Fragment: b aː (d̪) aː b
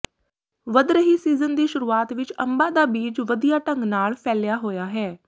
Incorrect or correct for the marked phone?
correct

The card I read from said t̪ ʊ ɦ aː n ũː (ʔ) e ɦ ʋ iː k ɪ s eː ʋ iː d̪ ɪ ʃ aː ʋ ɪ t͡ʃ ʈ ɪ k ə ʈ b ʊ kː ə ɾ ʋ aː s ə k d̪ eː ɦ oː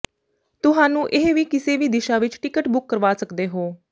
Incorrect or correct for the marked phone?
correct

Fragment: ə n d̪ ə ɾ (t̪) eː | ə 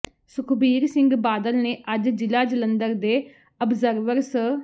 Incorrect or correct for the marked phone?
incorrect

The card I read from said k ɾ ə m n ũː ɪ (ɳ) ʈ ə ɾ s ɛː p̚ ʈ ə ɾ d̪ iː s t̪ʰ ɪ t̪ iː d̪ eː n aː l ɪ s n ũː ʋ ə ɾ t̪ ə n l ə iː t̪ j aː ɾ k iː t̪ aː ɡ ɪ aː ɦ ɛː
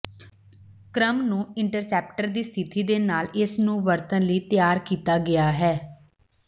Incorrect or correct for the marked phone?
correct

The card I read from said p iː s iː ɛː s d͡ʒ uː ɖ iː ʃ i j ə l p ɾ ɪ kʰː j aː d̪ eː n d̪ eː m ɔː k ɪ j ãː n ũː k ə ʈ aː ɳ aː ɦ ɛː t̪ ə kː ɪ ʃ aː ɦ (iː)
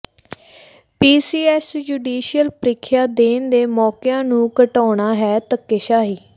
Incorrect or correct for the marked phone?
correct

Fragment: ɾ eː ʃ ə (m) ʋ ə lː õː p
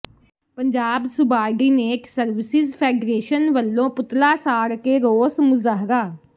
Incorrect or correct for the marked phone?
incorrect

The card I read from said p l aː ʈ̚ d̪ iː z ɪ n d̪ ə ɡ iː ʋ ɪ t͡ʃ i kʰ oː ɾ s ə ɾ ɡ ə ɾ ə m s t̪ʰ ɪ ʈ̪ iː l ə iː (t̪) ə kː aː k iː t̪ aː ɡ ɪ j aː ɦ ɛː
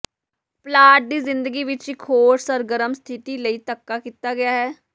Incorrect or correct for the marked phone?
correct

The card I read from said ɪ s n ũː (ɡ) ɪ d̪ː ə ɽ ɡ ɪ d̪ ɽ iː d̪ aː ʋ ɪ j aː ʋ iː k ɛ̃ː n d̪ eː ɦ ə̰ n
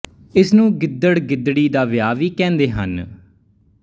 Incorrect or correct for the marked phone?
correct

